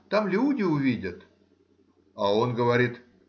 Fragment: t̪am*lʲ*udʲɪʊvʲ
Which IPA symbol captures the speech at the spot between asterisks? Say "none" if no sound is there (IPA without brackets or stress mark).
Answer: lʲ